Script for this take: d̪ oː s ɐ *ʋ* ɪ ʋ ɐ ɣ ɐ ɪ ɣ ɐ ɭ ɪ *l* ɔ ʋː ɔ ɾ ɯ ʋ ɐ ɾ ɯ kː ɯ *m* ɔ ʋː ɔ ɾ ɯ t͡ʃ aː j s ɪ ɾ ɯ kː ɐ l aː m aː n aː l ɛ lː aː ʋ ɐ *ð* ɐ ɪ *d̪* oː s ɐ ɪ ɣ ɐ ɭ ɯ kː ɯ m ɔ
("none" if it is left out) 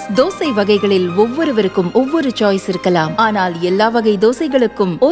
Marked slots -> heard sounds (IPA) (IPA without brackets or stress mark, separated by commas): none, l, m, ɣ, d̪